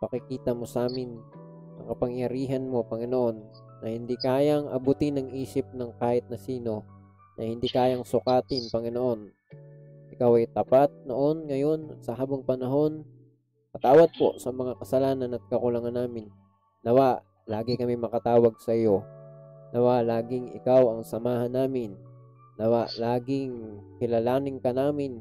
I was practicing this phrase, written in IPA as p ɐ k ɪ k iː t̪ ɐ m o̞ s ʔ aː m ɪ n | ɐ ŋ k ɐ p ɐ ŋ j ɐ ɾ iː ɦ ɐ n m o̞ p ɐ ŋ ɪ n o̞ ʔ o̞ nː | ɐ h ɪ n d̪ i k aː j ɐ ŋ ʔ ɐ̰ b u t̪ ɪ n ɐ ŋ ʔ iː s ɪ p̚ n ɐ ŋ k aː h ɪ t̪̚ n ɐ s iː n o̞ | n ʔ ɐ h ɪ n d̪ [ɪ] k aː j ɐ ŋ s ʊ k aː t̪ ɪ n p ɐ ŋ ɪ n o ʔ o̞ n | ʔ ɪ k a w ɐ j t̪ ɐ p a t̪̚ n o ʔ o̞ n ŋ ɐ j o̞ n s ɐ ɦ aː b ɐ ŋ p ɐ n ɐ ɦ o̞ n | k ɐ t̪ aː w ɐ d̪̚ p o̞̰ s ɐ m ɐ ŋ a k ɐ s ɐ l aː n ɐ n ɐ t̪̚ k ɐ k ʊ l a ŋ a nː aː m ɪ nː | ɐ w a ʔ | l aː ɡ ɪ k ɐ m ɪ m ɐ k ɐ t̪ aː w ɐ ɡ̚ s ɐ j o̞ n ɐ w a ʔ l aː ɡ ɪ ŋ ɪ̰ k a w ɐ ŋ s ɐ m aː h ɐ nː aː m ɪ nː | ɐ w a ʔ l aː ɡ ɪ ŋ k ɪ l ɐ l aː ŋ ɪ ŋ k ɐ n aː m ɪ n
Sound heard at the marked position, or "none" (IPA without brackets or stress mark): i